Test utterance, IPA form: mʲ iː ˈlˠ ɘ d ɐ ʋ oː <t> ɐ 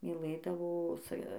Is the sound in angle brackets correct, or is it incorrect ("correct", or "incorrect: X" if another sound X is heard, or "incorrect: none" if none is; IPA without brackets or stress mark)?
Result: incorrect: s